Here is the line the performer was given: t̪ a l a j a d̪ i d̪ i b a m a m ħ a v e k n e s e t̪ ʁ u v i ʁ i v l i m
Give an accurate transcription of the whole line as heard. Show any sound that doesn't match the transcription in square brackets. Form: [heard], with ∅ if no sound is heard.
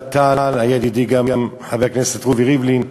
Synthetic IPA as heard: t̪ a l a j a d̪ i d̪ i [ɡ] a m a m ħ a v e k n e s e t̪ ʁ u v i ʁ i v l i [n]